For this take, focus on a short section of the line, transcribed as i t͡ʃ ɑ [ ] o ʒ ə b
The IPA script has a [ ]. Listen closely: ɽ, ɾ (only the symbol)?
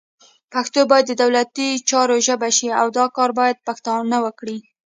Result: ɾ